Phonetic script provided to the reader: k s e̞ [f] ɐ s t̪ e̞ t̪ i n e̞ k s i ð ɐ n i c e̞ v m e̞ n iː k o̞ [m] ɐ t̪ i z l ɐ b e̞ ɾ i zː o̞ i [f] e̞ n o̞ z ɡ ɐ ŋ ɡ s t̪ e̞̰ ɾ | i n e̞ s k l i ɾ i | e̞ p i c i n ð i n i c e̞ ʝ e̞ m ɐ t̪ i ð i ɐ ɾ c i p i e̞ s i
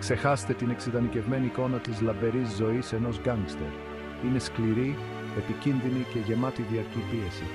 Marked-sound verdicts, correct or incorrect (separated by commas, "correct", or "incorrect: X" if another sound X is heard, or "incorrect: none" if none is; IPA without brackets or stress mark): incorrect: x, incorrect: n, incorrect: s